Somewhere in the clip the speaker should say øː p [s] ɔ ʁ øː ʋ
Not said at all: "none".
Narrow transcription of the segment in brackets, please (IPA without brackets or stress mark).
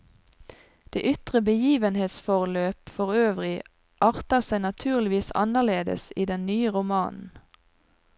f